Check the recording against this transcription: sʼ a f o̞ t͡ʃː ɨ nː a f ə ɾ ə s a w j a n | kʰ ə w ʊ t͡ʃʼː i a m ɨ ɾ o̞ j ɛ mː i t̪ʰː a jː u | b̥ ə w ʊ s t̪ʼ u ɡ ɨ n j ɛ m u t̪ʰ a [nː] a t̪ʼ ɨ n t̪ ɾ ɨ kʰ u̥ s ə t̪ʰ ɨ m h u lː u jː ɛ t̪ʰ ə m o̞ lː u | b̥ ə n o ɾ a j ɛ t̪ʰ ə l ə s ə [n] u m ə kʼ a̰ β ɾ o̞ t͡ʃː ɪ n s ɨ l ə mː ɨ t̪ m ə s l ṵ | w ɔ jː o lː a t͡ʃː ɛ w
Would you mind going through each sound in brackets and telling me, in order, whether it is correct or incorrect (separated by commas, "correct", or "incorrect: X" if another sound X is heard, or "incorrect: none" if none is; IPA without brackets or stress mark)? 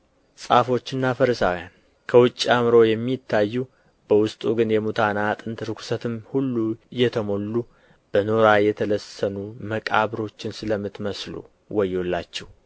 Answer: incorrect: n, correct